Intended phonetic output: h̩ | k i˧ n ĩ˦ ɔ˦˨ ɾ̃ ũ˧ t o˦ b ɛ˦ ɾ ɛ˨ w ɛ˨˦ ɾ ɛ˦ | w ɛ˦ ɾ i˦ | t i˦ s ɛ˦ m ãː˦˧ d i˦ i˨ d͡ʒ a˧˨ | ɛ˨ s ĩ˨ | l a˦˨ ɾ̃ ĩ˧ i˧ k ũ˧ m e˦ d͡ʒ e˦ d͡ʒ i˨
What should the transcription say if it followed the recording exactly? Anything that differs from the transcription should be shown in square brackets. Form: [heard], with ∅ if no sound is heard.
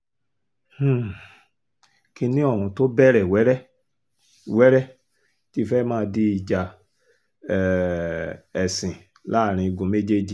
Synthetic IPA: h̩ | k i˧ n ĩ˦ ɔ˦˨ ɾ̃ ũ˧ t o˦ b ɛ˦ ɾ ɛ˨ w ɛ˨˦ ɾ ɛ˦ | w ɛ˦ ɾ [ɛ˦] | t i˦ [f] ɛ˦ m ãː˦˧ d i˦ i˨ d͡ʒ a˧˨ | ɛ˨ s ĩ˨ | l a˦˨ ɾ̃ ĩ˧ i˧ [ɡ] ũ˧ m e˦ d͡ʒ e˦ d͡ʒ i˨